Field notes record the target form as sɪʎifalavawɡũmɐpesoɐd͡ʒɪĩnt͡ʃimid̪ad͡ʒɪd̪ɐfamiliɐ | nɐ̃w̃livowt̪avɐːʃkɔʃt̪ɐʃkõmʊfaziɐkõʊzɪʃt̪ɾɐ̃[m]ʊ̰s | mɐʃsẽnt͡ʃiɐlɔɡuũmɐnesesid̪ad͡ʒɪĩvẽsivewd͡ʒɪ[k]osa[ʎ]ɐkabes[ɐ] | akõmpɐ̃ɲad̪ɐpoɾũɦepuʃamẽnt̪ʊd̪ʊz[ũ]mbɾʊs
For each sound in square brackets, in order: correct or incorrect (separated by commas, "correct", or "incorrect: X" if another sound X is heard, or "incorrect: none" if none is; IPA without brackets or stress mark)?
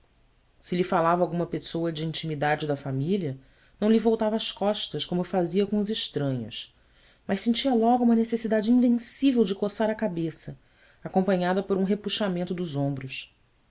incorrect: ɲ, correct, incorrect: ɾ, correct, incorrect: õ